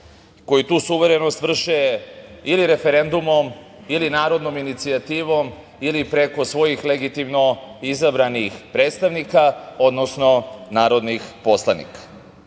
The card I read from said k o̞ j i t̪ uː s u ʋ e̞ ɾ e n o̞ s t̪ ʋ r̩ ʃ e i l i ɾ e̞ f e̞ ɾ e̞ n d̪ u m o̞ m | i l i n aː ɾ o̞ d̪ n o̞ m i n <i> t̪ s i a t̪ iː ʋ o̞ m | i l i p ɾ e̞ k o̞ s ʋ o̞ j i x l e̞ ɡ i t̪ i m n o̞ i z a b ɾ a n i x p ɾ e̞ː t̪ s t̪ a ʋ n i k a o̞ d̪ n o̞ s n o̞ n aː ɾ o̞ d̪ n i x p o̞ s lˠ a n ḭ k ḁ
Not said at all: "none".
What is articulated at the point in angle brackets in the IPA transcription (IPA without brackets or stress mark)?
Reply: i